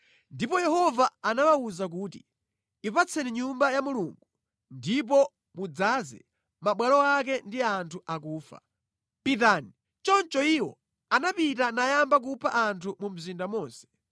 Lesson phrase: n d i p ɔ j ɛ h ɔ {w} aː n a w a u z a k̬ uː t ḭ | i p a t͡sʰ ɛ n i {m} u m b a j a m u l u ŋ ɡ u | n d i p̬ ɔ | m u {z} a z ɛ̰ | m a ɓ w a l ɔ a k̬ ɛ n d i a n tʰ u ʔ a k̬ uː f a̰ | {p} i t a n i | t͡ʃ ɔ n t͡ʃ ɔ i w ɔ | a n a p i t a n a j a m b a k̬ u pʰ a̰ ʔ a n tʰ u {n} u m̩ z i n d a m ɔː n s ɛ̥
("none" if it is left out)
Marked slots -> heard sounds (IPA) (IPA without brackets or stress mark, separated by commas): v, ɲ, d͡z, p, m